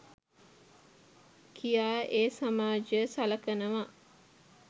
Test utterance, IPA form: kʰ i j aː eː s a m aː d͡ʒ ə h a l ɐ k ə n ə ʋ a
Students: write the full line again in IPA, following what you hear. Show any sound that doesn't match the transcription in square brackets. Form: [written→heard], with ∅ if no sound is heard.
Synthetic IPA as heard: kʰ i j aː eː s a m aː d͡ʒ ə [h→s] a l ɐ k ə n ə ʋ a